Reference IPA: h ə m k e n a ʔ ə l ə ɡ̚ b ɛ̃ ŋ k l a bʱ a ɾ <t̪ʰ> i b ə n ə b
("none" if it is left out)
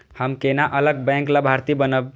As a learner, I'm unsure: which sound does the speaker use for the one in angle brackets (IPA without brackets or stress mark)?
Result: t̪